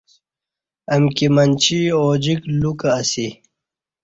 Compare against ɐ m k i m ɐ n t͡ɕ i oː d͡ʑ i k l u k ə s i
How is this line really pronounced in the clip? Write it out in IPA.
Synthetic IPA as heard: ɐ m k i m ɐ n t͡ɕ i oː d͡ʑ i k l u k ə s i